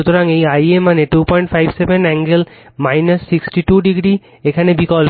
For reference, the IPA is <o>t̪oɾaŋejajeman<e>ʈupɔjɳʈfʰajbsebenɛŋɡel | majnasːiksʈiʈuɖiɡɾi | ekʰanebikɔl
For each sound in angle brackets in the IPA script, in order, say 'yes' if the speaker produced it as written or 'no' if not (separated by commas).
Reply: no, yes